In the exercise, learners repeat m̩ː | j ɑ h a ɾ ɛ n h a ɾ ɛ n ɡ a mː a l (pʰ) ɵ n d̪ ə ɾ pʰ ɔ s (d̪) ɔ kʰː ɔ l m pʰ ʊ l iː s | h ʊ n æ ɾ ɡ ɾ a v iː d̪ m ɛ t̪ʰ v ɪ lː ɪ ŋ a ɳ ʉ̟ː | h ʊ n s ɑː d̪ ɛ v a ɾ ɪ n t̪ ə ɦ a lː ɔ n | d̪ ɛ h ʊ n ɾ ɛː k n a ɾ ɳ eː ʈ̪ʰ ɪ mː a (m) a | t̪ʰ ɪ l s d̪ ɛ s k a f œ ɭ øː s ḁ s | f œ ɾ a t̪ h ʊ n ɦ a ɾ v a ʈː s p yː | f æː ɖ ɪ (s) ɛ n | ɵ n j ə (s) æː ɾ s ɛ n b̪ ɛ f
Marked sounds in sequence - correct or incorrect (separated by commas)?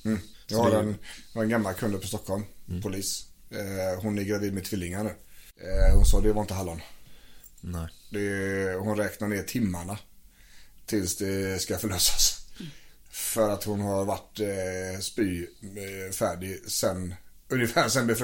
incorrect, incorrect, incorrect, correct, incorrect